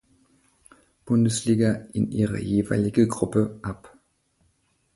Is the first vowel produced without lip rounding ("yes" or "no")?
no